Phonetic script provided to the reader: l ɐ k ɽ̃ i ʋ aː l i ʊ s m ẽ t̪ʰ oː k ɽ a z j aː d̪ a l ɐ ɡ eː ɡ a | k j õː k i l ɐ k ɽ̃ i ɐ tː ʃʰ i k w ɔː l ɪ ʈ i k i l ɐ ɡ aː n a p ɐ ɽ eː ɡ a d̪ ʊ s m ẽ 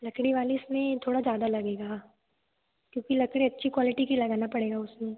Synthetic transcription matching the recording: l ɐ k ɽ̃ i ʋ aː l i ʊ s m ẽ t̪ʰ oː ɽ a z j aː d̪ a l ɐ ɡ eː ɡ a | k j õː k i l ɐ k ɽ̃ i ɐ tː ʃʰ i k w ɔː l ɪ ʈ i k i l ɐ ɡ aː n a p ɐ ɽ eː ɡ a ʊ s m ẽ